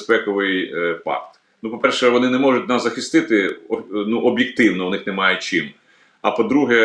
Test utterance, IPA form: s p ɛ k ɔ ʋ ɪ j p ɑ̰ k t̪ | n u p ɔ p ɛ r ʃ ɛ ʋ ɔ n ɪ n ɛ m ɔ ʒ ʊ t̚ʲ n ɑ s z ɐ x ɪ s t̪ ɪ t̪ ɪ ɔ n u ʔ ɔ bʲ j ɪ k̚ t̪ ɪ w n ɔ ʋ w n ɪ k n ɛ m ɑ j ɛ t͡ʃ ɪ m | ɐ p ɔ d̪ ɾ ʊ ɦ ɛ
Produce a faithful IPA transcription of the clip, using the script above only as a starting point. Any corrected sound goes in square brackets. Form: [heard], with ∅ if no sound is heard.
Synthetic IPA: s p ɛ k ɔ ʋ ɪ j p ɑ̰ k t̪ | n u p ɔ p ɛ r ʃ ɛ ʋ ɔ n ɪ n ɛ m ɔ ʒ ʊ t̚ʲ n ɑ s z ɐ x ɪ s t̪ ɪ t̪ ɪ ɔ n u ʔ ɔ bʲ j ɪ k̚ t̪ ɪ w n ɔ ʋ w n ɪ [x] n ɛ m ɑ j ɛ t͡ʃ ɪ m | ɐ p ɔ d̪ ɾ [u] ɦ ɛ